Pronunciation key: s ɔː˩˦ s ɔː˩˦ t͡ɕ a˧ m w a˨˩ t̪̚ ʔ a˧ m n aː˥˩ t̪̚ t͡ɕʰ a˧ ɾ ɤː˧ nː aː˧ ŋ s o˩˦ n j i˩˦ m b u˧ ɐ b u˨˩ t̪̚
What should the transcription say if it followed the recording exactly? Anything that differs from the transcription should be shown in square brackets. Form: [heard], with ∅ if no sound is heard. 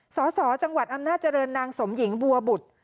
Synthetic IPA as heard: s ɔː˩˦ s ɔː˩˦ t͡ɕ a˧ [ŋ] w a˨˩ t̪̚ ʔ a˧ m n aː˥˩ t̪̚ [t͡ɕ] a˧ ɾ ɤː˧ nː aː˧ ŋ s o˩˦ [m] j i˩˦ [ŋ] b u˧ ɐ b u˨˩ t̪̚